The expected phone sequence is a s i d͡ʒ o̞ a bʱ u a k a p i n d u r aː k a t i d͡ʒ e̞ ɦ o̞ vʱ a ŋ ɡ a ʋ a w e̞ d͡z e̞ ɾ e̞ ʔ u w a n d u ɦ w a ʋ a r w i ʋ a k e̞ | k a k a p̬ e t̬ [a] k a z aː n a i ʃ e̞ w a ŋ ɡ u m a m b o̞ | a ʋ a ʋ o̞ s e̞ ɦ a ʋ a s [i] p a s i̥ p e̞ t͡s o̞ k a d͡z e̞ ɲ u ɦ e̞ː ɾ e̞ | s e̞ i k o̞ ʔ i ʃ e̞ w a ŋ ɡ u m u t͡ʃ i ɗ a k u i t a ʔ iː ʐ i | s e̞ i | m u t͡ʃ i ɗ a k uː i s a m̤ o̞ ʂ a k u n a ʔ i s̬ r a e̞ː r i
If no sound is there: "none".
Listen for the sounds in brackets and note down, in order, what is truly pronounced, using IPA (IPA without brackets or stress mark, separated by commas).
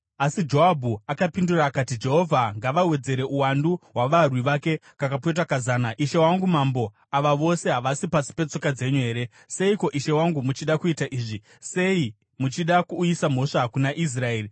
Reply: a, i